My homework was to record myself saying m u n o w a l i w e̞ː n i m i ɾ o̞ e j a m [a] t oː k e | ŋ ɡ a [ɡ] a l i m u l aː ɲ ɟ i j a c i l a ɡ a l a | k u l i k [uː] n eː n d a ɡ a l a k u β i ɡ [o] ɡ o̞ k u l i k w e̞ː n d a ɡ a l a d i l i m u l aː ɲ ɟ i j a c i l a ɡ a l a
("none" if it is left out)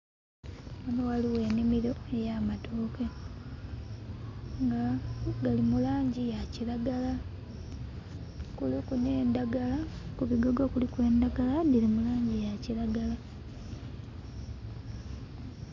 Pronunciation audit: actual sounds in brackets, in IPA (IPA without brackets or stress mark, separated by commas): a, ɡ, u, o